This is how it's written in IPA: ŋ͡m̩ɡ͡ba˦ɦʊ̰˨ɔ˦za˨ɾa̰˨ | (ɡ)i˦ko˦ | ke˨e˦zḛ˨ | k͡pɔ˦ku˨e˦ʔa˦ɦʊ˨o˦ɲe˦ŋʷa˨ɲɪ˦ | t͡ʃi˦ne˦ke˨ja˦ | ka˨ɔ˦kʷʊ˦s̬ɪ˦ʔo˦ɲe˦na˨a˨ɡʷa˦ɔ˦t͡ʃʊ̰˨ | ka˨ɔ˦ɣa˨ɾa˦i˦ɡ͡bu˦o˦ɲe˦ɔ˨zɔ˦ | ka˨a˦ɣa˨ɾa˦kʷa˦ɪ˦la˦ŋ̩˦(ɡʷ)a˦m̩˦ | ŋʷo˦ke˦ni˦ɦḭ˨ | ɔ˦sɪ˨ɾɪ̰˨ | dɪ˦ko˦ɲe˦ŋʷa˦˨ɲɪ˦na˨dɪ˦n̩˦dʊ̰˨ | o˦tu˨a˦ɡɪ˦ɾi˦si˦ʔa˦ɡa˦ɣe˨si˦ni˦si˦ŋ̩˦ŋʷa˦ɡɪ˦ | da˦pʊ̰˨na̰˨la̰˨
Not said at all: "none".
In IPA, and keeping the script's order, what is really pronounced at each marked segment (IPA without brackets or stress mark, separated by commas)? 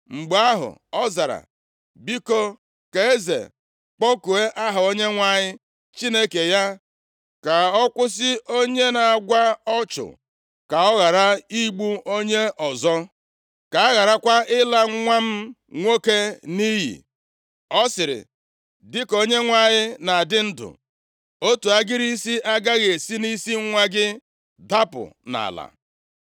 b, ŋʷ